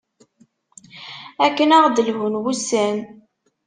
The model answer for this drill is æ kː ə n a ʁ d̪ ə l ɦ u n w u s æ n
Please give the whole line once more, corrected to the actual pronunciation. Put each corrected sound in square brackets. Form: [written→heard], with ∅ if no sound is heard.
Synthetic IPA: æ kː ə n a ʁ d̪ ə l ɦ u n w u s æ n